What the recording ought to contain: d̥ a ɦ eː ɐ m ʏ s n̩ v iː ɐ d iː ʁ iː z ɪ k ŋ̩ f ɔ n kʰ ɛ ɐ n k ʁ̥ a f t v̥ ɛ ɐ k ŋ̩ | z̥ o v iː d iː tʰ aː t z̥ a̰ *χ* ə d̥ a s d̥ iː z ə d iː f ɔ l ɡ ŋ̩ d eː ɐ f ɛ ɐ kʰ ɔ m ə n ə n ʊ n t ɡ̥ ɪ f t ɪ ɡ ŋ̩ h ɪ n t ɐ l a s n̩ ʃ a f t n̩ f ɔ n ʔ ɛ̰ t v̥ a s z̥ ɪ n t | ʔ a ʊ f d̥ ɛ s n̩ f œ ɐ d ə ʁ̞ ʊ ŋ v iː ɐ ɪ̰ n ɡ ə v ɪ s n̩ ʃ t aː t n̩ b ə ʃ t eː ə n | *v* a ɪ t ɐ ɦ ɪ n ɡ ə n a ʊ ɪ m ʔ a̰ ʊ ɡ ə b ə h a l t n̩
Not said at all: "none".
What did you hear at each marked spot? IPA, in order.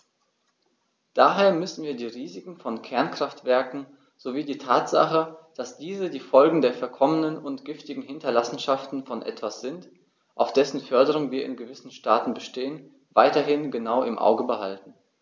χ, v

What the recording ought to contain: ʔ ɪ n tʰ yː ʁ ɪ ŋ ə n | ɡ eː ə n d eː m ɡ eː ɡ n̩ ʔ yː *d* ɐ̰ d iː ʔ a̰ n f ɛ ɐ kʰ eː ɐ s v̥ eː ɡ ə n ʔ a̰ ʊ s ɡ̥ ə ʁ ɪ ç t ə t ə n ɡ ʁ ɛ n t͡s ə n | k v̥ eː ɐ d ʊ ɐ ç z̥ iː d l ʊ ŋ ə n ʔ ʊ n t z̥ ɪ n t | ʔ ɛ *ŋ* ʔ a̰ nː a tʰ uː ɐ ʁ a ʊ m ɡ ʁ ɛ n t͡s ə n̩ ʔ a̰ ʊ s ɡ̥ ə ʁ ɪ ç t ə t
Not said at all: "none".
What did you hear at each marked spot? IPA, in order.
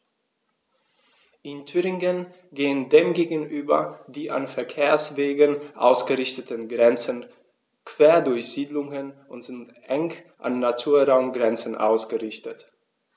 b, ŋ

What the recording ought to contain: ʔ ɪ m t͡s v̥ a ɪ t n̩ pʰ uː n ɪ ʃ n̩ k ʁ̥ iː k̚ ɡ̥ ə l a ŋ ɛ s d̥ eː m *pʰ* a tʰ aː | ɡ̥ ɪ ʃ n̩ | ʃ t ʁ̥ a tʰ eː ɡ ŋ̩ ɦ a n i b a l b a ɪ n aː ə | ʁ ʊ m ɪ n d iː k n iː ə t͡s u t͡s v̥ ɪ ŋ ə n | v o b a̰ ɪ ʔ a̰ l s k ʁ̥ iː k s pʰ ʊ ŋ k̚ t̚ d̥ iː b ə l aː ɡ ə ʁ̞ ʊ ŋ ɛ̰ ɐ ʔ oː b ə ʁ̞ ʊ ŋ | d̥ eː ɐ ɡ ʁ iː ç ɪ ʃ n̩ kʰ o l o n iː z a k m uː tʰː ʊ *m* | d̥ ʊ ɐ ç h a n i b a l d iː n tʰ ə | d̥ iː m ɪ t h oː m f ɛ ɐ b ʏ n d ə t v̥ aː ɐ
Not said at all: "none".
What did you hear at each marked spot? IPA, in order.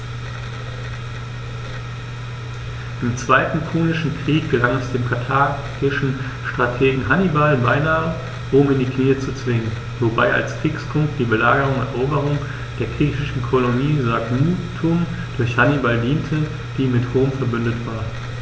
kʰ, m

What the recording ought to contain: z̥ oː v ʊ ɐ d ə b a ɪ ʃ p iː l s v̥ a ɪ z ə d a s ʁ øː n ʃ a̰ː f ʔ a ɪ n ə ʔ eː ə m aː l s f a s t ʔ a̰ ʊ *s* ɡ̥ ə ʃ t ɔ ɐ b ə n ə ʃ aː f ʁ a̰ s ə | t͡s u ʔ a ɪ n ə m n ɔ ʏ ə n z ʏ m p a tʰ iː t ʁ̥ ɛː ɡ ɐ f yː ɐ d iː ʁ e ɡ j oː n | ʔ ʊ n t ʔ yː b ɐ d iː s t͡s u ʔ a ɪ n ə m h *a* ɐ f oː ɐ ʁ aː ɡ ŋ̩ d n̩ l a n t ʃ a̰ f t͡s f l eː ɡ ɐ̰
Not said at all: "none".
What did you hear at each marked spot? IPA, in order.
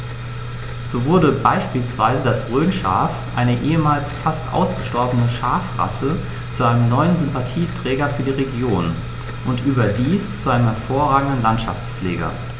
s, ɛ

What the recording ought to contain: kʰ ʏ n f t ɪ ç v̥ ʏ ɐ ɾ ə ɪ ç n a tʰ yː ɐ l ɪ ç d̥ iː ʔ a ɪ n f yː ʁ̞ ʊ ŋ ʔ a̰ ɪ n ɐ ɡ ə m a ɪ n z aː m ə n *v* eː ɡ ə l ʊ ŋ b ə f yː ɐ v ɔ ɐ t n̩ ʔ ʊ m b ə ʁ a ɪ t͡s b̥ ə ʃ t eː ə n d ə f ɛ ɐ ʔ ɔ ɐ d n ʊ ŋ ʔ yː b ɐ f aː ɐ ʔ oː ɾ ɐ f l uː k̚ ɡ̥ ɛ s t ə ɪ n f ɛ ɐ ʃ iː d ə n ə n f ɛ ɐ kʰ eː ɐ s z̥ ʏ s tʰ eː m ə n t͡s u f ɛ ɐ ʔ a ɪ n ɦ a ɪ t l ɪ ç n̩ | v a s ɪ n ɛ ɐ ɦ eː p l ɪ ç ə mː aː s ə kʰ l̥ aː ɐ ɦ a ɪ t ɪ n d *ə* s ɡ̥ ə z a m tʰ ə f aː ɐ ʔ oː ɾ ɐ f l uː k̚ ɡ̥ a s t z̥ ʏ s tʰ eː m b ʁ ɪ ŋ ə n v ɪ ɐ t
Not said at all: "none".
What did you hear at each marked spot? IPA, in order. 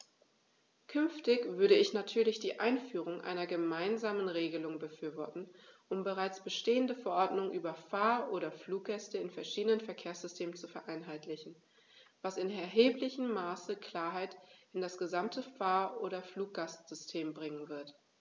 ʁ, a

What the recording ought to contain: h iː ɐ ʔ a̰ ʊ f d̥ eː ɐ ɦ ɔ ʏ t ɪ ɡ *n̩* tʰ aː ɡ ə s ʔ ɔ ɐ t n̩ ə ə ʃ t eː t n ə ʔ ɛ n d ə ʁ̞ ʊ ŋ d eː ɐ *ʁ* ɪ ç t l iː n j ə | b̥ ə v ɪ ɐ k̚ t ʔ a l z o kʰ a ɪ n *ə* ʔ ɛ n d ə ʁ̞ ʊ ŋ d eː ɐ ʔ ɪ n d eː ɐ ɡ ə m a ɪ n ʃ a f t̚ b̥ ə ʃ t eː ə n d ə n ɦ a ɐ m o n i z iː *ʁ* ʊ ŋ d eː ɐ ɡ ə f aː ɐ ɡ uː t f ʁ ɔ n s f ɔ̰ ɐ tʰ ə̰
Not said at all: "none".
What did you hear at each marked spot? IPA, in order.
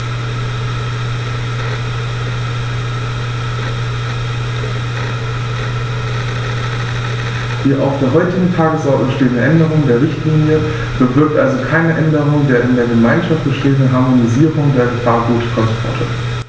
ŋ̩, ʁ, ə, ʁ

